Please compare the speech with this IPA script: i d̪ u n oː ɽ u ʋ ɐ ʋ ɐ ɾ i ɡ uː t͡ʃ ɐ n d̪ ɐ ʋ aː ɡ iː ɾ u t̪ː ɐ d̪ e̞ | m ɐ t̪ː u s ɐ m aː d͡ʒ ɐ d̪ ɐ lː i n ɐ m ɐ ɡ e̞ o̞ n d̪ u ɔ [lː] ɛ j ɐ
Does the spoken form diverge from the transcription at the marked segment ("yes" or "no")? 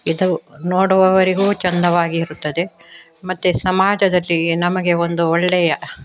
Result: yes